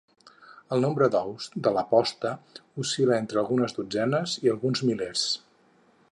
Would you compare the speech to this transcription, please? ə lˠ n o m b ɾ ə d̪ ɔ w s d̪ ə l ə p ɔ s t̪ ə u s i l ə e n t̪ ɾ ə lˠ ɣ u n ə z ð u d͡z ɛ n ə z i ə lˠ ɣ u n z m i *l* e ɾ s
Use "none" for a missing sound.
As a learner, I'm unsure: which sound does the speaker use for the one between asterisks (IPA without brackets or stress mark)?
l